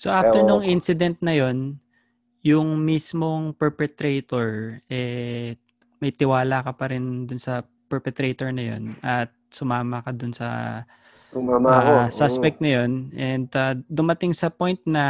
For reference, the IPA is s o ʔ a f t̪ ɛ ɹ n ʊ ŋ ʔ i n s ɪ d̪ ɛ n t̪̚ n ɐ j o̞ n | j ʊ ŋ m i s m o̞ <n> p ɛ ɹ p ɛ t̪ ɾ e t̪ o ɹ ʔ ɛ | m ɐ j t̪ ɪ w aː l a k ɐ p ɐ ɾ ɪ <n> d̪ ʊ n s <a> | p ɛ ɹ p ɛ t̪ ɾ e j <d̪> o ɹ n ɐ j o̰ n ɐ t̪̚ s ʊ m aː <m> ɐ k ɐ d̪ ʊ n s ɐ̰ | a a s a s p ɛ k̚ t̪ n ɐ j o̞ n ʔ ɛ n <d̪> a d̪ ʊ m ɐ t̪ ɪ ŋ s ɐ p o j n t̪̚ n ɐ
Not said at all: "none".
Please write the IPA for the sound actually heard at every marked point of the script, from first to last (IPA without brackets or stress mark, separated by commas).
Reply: ŋ, n, ɐ, t̪, m, d̪